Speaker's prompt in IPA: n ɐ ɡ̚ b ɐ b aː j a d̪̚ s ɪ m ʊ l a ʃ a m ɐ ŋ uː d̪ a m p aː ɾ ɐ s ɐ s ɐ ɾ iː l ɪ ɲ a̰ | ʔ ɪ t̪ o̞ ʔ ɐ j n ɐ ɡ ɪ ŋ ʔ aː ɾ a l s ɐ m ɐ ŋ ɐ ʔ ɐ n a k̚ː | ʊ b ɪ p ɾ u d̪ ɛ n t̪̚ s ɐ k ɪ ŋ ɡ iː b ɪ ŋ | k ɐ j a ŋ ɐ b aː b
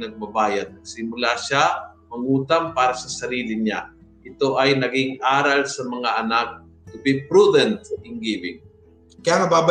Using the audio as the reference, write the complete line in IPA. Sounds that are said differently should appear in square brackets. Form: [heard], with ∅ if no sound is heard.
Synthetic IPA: n ɐ ɡ̚ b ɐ b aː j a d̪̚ s ɪ m ʊ l a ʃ a m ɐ ŋ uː [t̪] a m p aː ɾ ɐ s ɐ s ɐ ɾ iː l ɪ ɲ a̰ | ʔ ɪ t̪ o̞ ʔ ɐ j n ɐ ɡ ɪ ŋ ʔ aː ɾ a l s ɐ m ɐ ŋ [a] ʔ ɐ n a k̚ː | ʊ b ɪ p ɾ u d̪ ɛ n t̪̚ s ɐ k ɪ ŋ ɡ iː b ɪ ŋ | k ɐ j a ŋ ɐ b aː b